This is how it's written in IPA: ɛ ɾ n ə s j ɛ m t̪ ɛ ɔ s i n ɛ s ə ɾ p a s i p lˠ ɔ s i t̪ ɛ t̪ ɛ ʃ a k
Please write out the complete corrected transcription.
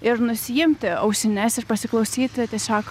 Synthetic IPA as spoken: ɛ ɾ n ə s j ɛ m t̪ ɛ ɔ s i n ɛ s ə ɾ p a s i k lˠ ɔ s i t̪ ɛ t̪ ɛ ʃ a k

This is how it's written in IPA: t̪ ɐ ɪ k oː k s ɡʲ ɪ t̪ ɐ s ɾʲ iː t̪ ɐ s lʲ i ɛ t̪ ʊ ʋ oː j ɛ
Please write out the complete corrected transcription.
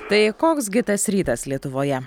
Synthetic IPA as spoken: t̪ ɐ ɪ k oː k s ɡʲ ɪ t̪ ɐ s ɾʲ iː t̪ ɐ s lʲ i ɛ t̪ ʊ ʋ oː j ɛ

